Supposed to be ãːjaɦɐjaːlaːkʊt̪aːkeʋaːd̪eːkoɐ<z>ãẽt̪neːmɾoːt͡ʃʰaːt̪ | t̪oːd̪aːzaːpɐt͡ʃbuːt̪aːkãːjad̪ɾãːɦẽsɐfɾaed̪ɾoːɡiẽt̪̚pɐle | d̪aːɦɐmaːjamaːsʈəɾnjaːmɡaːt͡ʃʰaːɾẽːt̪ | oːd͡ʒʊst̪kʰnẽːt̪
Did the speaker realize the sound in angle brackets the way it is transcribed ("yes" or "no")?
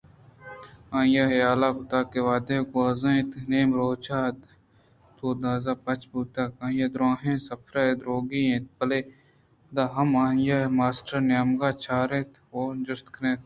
yes